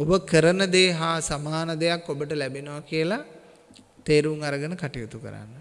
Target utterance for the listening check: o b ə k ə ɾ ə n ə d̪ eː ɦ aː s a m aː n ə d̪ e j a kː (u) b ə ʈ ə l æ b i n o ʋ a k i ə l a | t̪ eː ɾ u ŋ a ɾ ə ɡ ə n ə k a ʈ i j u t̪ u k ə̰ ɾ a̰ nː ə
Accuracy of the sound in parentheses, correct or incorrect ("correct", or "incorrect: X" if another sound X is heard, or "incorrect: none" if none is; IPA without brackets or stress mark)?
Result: incorrect: o